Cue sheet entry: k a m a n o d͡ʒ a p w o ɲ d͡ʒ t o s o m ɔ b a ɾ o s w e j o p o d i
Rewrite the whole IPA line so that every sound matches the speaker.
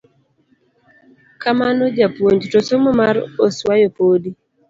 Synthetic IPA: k a m a n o d͡ʒ a p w o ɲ d͡ʒ t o s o m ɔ m a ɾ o s w a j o p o d i